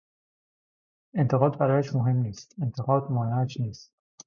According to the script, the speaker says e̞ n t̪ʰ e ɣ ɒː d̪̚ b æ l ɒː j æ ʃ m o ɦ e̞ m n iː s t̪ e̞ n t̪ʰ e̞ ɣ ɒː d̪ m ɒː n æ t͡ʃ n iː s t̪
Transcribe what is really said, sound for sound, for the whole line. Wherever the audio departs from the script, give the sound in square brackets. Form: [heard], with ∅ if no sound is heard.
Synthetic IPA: e̞ n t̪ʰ e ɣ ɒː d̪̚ b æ [ɾ] ɒː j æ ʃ m o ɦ e̞ m n iː s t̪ e̞ n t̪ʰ e̞ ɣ ɒː d̪ m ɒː n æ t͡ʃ n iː s t̪